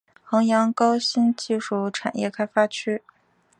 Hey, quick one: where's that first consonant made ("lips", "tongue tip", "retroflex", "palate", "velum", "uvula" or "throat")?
velum